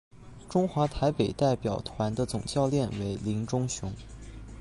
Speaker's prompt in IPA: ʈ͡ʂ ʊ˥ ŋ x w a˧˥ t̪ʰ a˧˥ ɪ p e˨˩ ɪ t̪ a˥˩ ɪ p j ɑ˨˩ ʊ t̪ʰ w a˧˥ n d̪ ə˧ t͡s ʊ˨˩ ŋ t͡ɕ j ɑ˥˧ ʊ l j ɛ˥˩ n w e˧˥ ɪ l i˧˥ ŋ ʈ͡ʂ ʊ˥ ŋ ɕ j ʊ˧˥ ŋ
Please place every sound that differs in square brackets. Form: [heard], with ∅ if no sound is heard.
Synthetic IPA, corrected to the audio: ʈ͡ʂ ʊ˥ ŋ x w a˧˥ t̪ʰ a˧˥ ɪ p e˨˩ ɪ t̪ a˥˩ ɪ p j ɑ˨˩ ʊ t̪ʰ w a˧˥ n d̪ ə˧ t͡s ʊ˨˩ ŋ t͡ɕ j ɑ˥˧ ʊ l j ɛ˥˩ n w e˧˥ ɪ l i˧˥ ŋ ʈ͡ʂ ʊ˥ ŋ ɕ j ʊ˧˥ ŋ